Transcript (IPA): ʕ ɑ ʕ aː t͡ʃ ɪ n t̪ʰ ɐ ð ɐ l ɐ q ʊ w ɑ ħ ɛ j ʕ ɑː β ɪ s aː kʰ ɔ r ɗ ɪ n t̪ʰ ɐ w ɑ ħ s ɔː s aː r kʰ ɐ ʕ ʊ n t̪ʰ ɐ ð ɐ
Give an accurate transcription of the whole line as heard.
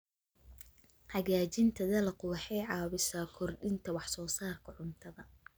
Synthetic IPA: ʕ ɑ ɣ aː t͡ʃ ɪ n t̪ʰ ɐ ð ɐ l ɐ q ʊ w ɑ ħ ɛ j ʕ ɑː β ɪ s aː kʰ ɔ r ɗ ɪ n t̪ʰ ɐ w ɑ ħ s ɔː s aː r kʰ ɐ ʕ ʊ n t̪ʰ ɐ ð ɐ